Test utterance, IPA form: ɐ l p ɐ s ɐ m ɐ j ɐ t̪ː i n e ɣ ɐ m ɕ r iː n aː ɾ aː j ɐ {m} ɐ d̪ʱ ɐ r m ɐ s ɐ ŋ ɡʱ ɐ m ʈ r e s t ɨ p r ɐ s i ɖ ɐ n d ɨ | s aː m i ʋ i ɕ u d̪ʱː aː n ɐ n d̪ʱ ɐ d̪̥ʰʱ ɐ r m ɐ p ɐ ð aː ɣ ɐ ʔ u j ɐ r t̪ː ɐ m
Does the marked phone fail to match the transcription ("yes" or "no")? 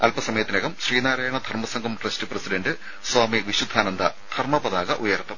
yes